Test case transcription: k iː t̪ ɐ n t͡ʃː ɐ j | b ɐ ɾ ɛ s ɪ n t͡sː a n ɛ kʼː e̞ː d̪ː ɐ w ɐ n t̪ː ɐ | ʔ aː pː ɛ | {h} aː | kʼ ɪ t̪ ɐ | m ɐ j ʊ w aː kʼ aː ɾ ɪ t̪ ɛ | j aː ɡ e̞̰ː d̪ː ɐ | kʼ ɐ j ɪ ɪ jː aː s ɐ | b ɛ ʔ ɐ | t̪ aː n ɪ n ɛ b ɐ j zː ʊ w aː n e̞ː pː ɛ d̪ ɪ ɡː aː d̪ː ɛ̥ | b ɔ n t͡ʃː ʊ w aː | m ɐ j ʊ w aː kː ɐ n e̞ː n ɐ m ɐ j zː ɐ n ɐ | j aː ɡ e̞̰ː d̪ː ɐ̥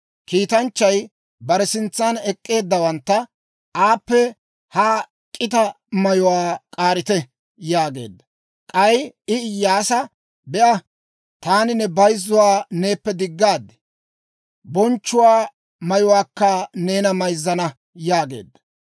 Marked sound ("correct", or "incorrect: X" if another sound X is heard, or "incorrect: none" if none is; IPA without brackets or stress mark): correct